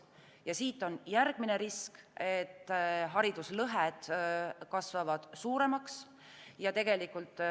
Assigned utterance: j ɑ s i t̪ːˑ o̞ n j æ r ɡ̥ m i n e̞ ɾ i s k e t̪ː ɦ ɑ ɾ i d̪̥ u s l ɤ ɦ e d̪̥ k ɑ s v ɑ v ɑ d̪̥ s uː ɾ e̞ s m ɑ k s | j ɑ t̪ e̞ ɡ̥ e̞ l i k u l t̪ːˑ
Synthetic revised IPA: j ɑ s iː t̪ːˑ o̞ n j æ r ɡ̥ m i n e̞ ɾ i s k e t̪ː ɦ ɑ ɾ i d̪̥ u s l ɤ ɦ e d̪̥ k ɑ s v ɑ v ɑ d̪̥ s uː ɾ e̞ m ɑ k s | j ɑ t̪ e̞ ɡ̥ e̞ l i k u l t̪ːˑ

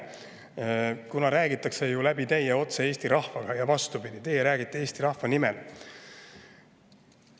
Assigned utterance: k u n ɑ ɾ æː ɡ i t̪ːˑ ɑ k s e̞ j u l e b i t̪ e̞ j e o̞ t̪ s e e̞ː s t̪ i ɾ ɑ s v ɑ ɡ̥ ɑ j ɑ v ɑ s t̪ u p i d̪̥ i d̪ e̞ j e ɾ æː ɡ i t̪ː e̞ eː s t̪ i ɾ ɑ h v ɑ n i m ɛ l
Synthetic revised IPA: k u n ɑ ɾ æː ɡ i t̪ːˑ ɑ k s e̞ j u l æ b i t̪ e̞ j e o̞ t̪ s e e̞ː s t̪ i ɾ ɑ h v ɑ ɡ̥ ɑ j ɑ v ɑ s t̪ u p i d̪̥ i t̪ e̞ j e ɾ æː ɡ i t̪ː e̞ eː s t̪ i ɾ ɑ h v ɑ n i m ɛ l

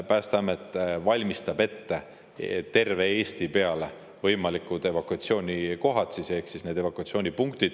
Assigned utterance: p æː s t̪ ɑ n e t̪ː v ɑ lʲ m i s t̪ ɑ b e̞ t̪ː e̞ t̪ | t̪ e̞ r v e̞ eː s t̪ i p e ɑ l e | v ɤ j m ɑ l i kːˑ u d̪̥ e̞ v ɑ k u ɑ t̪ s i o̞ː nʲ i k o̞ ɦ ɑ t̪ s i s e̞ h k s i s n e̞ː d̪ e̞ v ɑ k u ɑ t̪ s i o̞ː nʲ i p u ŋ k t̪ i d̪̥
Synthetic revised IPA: p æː s t̪ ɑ m e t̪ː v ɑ lʲ m i s t̪ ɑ b e̞ t̪ː e̞ | t̪ e̞ r v e̞ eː s t̪ i p e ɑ l e | v ɤ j m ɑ l i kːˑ u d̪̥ e̞ v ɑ k u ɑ t̪ s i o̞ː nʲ i k o̞ ɦ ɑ t̪ s i s e̞ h k s i s n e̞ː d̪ e̞ v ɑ k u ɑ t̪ s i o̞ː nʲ i p u ŋ k t̪ i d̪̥

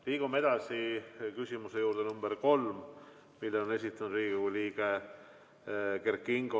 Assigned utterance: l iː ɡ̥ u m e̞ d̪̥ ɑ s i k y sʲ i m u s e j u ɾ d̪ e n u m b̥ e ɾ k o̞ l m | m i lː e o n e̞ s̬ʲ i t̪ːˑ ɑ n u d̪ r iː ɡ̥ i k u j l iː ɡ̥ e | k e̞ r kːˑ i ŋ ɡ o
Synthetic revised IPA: l iː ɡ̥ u m e̞ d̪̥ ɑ s i k y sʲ i m u s e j uː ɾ d̪ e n u m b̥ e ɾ k o̞ l m | m i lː e o n e̞ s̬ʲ i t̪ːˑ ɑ n u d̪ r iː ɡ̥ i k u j l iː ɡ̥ e | k e̞ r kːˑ i ŋ ɡ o

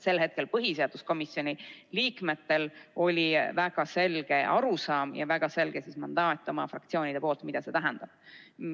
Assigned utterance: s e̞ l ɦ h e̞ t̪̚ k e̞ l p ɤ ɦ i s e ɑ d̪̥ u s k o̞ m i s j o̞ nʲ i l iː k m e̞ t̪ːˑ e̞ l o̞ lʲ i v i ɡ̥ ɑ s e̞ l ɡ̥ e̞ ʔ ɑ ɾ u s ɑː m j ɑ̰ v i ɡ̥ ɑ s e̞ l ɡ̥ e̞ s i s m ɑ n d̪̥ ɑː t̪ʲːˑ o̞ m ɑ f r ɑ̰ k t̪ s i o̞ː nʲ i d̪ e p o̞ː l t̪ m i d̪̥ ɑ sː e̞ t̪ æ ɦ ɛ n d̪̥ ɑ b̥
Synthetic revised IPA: s e̞ l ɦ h e̞ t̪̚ k e̞ l p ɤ ɦ i s e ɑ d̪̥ u s k o̞ m i s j o̞ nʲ i l iː k m e̞ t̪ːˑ e̞ l o̞ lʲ i v æ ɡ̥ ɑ s e̞ l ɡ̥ e̞ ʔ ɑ ɾ u s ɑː m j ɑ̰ v æ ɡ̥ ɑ s e̞ l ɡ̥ e̞ s i s m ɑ n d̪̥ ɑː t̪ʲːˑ o̞ m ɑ f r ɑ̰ k t̪ s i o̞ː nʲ i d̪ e p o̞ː l t̪ m i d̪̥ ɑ s e̞ t̪ æ ɦ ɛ n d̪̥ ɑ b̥

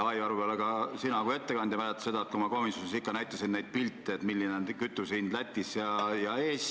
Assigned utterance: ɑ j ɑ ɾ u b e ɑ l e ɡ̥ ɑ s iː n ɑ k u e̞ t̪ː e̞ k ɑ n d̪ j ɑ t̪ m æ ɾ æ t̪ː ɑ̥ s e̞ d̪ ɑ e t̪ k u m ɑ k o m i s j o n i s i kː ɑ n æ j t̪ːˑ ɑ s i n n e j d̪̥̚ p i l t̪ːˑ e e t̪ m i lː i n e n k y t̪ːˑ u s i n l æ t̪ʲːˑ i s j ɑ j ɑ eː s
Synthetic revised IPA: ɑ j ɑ ɾ u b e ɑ l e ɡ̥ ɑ s i n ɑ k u e̞ t̪ː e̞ k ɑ n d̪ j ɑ m æ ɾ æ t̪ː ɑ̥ s e̞ d̪ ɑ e t̪ k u m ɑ k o m i s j o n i s i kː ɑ n æ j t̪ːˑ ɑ s i n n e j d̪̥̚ p i l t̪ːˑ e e t̪ m i lː i n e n k y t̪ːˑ u s i n l æ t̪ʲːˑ i s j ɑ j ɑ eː s

